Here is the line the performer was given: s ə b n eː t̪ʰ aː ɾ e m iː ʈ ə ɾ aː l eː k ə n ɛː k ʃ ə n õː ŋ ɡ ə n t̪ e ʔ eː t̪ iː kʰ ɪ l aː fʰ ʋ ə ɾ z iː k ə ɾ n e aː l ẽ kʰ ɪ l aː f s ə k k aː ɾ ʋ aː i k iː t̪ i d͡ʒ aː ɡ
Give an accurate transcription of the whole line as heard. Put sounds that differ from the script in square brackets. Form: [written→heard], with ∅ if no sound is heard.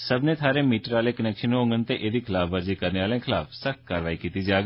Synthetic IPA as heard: s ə b n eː t̪ʰ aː ɾ e m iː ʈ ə ɾ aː l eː k ə n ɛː k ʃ ə n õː ŋ ɡ ə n t̪ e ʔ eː [t̪→d̪] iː kʰ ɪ l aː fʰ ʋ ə ɾ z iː k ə ɾ n e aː l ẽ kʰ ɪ l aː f s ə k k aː ɾ ʋ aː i k iː t̪ i d͡ʒ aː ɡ